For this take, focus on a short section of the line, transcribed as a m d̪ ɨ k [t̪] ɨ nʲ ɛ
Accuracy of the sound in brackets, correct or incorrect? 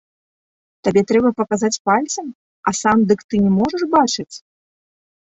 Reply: correct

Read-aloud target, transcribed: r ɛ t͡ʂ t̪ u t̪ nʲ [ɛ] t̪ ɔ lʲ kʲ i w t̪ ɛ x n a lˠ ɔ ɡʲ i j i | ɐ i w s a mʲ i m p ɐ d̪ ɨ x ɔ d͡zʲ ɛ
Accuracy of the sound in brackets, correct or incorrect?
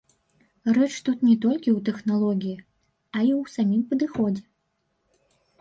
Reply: correct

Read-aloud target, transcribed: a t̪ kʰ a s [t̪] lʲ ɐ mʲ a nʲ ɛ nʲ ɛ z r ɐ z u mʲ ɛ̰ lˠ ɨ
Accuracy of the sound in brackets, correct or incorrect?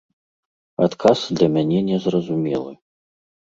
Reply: incorrect: d̪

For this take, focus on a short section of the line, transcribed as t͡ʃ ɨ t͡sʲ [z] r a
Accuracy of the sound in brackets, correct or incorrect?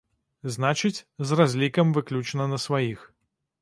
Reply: correct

